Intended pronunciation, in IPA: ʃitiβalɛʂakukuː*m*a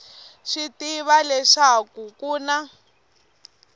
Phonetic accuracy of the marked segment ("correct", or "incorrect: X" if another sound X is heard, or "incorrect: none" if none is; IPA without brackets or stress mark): incorrect: n